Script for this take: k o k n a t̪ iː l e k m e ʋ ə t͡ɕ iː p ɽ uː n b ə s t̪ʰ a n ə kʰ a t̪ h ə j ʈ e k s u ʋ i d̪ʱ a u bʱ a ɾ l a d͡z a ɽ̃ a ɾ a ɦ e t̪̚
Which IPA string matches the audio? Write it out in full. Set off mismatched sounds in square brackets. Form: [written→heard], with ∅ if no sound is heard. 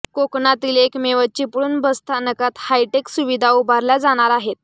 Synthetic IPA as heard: k o k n a t̪ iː l e k m e ʋ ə t͡ɕ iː p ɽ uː n b ə s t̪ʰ a n ə [kʰ→k] a t̪ h [ə→a] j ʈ e k s u ʋ i d̪ʱ a u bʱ a ɾ l a d͡z a ɽ̃ a ɾ a ɦ e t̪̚